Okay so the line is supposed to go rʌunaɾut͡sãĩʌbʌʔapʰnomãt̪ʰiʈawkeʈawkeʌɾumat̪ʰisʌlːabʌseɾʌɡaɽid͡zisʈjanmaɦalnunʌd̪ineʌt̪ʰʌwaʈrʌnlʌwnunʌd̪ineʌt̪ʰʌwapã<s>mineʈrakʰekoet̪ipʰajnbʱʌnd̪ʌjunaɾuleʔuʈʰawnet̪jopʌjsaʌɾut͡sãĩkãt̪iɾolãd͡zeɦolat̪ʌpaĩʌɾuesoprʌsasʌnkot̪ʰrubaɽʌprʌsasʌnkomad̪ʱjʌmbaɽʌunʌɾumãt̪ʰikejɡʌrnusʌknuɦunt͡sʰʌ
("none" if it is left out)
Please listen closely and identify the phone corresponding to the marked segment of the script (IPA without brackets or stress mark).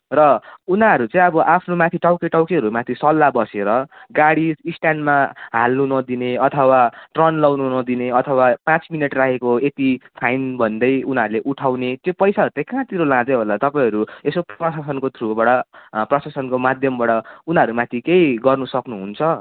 t͡s